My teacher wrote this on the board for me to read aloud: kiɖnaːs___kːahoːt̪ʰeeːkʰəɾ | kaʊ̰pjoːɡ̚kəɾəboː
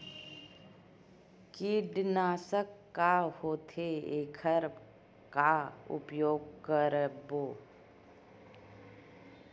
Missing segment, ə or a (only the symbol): ə